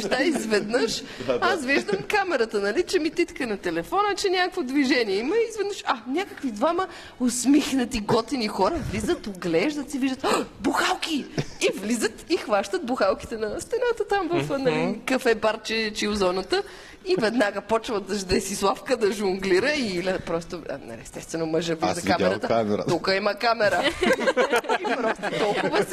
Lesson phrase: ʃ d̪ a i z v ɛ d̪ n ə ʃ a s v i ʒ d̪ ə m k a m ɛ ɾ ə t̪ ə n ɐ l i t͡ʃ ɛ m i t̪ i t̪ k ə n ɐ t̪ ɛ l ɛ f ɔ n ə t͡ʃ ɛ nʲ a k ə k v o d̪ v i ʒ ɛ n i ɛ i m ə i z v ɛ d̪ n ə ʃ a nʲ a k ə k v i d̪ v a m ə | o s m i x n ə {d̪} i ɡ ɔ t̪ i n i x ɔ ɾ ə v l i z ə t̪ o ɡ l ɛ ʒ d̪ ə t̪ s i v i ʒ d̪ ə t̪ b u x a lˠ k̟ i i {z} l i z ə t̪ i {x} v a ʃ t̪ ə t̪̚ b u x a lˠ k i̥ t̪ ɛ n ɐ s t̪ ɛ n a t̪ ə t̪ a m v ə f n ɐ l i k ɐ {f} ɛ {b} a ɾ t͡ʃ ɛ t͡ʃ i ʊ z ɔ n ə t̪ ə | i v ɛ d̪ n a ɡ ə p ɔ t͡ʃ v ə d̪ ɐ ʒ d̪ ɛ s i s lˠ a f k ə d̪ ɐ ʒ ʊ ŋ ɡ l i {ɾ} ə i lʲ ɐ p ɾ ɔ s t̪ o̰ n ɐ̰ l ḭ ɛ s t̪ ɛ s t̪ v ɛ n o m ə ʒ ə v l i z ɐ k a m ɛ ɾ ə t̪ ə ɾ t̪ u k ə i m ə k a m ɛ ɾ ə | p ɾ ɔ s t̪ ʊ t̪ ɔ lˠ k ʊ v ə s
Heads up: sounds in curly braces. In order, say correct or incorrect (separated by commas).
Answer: incorrect, incorrect, correct, correct, correct, correct